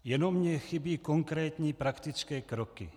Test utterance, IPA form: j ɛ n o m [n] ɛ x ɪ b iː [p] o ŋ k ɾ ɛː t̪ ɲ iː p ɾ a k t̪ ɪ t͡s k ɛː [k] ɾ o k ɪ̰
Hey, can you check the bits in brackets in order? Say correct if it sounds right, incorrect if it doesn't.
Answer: incorrect, incorrect, correct

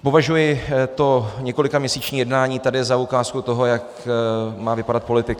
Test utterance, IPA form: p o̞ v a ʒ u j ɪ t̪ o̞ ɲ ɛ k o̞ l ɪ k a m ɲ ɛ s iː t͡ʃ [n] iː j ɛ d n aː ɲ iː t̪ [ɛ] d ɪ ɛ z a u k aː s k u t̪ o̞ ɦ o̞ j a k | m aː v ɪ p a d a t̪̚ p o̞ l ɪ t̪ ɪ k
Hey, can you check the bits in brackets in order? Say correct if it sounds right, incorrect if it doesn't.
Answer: incorrect, incorrect

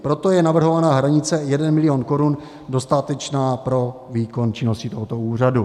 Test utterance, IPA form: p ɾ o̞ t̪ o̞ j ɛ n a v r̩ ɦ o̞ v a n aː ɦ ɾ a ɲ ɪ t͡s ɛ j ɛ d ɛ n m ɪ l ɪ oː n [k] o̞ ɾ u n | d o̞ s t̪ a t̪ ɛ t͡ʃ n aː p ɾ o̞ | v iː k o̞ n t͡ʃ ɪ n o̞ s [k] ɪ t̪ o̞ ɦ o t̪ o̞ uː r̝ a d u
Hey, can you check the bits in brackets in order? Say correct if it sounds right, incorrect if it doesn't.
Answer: correct, incorrect

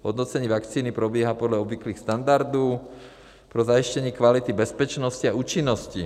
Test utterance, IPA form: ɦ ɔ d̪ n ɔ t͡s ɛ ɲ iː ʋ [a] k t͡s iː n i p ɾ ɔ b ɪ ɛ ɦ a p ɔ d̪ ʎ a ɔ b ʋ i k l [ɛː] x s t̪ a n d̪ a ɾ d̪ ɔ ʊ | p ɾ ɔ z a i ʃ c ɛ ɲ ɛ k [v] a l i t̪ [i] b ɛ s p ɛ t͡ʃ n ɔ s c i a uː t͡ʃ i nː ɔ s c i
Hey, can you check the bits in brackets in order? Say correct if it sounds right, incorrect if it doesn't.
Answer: correct, incorrect, incorrect, correct

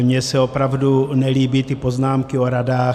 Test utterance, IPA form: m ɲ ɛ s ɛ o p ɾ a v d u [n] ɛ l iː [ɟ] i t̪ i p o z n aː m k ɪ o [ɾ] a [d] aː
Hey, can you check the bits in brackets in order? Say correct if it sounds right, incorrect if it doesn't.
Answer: correct, incorrect, correct, correct

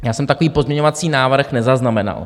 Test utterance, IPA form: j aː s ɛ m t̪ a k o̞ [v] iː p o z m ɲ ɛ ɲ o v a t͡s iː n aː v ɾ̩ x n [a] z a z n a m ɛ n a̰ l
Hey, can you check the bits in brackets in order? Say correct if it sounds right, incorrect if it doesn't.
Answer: correct, incorrect

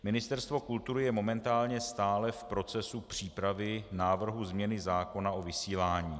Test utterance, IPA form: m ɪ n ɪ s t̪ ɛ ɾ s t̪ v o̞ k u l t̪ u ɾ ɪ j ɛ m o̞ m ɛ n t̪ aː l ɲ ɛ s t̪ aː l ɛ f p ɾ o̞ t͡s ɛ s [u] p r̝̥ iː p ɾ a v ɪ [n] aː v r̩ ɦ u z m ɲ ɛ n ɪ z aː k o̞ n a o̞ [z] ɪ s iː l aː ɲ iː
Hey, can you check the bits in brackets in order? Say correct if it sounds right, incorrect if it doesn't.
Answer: correct, correct, incorrect

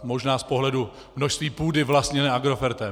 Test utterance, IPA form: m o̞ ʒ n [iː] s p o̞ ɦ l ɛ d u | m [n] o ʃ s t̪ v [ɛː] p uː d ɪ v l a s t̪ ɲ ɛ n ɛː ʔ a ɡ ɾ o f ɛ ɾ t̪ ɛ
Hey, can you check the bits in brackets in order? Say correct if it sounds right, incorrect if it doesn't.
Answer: incorrect, correct, incorrect

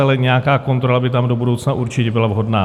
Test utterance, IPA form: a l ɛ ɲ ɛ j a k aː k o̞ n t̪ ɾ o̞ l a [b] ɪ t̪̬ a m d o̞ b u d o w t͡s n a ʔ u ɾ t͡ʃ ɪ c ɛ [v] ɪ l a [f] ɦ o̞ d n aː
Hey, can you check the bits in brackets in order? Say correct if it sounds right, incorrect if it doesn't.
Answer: correct, incorrect, incorrect

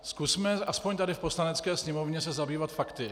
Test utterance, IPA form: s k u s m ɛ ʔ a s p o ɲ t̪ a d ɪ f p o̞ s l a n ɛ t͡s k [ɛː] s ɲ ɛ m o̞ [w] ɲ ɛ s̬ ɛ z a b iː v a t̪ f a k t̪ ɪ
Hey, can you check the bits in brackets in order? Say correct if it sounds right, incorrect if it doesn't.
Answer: correct, incorrect

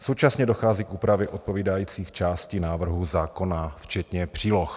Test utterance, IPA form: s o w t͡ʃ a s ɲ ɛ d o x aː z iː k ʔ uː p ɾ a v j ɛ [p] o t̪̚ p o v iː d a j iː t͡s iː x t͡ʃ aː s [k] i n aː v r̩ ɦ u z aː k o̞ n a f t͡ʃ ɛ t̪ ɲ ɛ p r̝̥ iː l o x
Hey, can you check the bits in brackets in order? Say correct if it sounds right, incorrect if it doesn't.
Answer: incorrect, incorrect

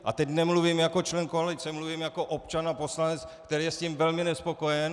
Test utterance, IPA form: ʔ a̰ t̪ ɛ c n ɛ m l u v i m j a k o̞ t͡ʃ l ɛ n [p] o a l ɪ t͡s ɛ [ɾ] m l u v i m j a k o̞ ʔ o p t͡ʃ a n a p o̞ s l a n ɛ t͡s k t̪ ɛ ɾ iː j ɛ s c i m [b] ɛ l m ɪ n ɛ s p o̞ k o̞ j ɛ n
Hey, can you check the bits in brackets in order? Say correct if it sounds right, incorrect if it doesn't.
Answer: incorrect, incorrect, incorrect

